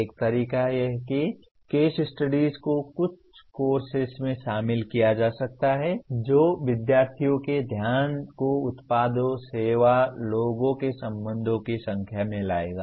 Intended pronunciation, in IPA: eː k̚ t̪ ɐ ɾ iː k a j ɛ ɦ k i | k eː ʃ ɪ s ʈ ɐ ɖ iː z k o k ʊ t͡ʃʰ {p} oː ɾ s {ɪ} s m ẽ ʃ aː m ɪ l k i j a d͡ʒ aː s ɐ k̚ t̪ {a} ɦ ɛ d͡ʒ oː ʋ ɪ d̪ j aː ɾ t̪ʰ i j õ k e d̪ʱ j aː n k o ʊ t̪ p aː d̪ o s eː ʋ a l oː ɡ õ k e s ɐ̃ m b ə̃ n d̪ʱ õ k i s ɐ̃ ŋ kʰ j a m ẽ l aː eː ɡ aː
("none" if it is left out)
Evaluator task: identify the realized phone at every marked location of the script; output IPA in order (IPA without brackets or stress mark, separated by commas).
k, ɪ, a